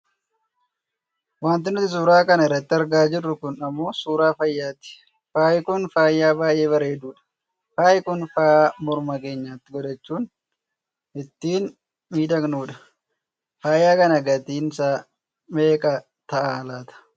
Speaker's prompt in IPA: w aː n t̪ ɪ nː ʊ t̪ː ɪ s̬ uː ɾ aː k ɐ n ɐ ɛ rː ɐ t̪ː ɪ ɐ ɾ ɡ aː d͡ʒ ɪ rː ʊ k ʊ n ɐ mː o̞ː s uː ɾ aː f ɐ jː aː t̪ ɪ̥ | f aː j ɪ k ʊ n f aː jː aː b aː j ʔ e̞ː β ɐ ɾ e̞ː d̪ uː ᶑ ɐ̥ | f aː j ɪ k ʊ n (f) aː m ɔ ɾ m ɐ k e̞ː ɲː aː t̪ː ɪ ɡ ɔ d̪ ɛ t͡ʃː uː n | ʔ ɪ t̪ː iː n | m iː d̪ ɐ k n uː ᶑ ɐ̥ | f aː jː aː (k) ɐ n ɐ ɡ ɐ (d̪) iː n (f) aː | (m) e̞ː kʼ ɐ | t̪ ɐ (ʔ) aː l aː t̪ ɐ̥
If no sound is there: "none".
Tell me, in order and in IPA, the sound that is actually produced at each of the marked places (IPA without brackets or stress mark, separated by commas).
f, k, t̪, s, m, ʔ